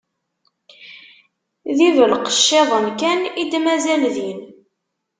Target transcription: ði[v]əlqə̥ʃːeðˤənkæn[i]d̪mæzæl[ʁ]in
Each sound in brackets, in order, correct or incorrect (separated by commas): correct, correct, incorrect